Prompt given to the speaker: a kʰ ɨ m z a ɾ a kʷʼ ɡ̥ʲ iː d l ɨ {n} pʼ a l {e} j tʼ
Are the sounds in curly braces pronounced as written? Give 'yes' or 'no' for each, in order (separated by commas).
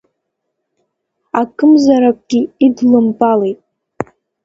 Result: no, yes